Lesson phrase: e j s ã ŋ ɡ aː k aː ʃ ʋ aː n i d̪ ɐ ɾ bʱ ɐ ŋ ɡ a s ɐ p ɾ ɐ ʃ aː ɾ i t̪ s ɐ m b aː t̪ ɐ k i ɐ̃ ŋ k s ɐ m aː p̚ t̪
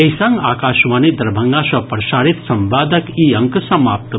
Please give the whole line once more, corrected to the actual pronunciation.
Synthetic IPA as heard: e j s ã ŋ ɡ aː k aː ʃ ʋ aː n i d̪ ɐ ɾ bʱ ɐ ŋ ɡ a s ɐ p ɾ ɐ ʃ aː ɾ i t̪ s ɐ m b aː d̪ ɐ k i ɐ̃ ŋ k s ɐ m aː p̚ t̪

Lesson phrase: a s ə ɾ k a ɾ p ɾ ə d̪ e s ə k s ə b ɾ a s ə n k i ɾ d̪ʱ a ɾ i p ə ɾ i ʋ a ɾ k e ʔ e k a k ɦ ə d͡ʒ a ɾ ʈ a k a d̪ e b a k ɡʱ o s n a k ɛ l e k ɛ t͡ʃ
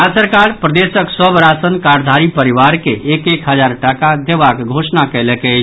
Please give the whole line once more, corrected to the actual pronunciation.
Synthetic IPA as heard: a s ə ɾ k a ɾ p ɾ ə d̪ e s ə k s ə b ɾ a s ə n k a ɾ d̪ʱ a ɾ i p ə ɾ i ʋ a ɾ k e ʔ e k e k ɦ ə d͡ʒ a ɾ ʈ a k a d̪ e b a k ɡʱ o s n a k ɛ l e k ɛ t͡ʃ

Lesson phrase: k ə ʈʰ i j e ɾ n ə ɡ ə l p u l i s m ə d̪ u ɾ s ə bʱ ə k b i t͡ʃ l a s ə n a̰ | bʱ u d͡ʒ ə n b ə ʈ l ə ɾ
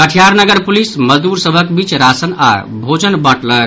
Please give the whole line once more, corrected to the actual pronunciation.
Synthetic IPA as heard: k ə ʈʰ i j a ɾ n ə ɡ ə ɾ p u l i s m ə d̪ u ɾ s ə bʱ ə k b i t͡ʃ ɾ a s ə n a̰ | bʱ o d͡ʒ ə n b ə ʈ l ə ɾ

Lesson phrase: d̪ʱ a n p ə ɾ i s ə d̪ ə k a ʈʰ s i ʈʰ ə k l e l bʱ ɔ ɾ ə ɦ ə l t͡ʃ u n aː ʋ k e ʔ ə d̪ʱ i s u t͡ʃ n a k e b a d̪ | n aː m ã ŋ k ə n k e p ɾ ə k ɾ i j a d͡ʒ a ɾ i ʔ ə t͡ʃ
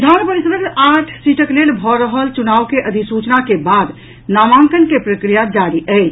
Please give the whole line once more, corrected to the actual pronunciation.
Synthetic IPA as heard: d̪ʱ a n p ə ɾ i s ə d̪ ə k a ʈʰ s i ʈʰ ə k l e l bʱ ɔ ɾ ə ɦ ə l t͡ʃ u n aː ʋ k e ʔ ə d̪ʱ i s u t͡ʃ n a k e b a d̪ | n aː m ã ŋ k ə n k e p ɾ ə k ɾ i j a d͡ʒ a ɾ i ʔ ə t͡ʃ

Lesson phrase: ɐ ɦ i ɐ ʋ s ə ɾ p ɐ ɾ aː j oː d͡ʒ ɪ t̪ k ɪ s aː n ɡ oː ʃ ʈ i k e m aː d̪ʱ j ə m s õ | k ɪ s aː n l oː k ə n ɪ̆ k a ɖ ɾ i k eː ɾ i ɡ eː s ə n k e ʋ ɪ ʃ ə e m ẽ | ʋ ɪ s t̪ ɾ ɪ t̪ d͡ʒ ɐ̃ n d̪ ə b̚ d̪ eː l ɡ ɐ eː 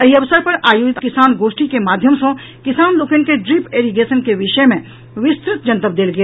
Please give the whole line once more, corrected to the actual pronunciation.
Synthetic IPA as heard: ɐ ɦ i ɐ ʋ s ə ɾ p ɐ ɾ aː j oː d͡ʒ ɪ t̪ k ɪ s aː n ɡ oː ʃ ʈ i k e m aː d̪ʱ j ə m s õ | k ɪ s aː n l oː k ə n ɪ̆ k e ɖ ɾ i p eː ɾ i ɡ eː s ə n k e ʋ ɪ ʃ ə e m ẽ | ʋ ɪ s t̪ ɾ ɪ t̪ d͡ʒ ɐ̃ n t̪ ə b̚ d̪ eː l ɡ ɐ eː

